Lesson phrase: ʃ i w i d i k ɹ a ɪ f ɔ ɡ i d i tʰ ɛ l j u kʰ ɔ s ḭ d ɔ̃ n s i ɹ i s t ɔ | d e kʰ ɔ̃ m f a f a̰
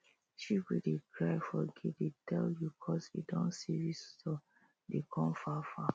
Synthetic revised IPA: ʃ i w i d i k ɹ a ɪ f ɔ ɡ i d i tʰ ɛ l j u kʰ ɔ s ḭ d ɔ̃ n s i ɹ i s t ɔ | d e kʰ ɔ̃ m f a f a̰